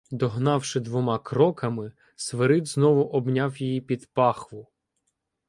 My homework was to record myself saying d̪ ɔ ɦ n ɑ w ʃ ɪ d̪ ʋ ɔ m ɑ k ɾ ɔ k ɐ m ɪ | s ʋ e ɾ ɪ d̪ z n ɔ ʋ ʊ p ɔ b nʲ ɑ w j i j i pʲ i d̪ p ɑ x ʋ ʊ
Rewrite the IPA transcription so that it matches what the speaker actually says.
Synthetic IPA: d̪ ɔ ɦ n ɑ w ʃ ɪ d̪ ʋ ɔ m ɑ k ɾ ɔ k ɐ m ɪ | s ʋ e ɾ ɪ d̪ z n ɔ ʋ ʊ ʔ ɔ b nʲ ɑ w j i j i pʲ i d̪ p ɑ x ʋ ʊ